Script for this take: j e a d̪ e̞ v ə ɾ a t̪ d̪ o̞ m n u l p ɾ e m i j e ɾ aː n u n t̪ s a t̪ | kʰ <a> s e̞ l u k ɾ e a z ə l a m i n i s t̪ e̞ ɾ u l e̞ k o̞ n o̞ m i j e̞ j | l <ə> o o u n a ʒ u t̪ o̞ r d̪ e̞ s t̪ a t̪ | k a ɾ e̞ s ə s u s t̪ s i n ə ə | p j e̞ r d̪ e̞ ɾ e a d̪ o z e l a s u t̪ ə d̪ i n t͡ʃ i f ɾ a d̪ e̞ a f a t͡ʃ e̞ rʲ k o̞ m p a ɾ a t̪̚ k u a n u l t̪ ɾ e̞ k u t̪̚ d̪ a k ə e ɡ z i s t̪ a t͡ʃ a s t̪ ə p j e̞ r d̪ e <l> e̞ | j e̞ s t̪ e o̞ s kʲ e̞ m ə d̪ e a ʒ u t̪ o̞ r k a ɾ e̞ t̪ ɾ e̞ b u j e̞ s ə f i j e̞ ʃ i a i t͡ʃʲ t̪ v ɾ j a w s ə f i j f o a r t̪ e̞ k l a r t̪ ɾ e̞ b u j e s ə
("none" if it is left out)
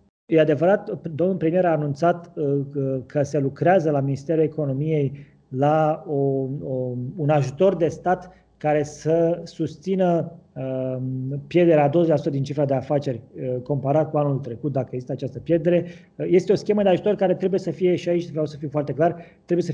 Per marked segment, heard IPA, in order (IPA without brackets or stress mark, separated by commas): ə, a, ɾ